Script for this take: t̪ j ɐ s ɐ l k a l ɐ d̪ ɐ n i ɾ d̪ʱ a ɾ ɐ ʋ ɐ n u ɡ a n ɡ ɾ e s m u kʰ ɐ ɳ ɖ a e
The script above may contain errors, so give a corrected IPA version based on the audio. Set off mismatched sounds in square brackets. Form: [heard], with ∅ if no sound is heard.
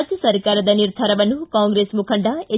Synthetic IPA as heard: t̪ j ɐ s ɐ [ɾ] k a [ɾ] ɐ d̪ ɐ n i ɾ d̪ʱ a ɾ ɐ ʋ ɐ n u [k] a [ŋ] ɡ ɾ e s m u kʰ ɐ ɳ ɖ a e